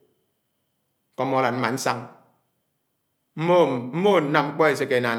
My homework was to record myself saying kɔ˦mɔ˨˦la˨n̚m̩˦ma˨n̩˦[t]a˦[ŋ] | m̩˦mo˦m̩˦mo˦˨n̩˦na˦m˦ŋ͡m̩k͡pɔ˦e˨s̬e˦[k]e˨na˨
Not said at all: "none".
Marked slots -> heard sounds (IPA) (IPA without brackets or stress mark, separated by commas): s, ŋ, k